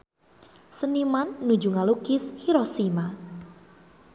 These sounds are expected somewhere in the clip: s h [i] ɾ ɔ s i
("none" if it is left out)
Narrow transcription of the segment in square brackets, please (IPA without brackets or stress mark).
i